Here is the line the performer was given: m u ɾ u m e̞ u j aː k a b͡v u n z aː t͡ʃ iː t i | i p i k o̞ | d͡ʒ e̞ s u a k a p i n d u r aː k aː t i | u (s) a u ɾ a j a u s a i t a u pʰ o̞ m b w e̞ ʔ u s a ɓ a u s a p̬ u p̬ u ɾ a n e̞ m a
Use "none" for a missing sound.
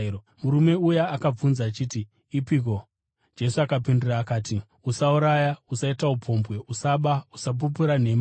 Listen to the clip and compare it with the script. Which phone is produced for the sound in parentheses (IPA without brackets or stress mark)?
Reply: s